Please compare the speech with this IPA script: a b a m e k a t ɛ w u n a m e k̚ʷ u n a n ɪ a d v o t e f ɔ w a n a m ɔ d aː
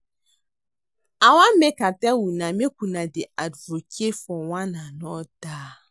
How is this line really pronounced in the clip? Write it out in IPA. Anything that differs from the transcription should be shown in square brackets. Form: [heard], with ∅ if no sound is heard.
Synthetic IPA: a [w] a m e k a t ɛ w u n a m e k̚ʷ u n a [d] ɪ a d v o [k] e f ɔ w a n a [n] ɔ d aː